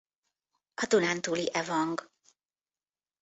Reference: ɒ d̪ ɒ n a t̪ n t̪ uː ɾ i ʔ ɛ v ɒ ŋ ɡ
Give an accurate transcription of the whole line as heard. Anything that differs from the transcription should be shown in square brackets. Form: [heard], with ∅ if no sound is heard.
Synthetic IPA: ɒ d̪ [u] n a [∅] n t̪ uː [l] i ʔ ɛ v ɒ ŋ ɡ